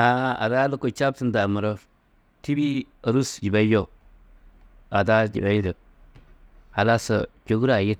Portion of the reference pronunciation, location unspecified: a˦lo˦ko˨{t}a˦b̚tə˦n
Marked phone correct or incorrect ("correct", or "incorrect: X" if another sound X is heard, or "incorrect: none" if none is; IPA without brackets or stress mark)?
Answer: incorrect: t͡ʃ